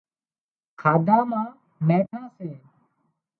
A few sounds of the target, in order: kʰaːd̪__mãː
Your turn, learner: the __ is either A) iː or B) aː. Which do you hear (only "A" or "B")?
B